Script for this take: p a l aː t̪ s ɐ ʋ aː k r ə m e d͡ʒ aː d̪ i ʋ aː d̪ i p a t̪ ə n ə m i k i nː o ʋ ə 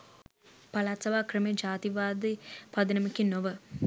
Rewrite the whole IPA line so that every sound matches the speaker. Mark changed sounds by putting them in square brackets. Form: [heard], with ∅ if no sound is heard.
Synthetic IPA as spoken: p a l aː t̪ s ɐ ʋ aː k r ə m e d͡ʒ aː [t̪] i ʋ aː d̪ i p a [d̪] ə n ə m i k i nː o ʋ ə